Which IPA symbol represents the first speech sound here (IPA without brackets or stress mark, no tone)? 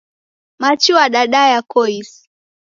m